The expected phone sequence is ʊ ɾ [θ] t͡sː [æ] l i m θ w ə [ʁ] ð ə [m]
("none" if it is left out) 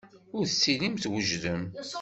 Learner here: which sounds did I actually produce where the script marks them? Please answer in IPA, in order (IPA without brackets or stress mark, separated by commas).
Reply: θ, i, ʒ, m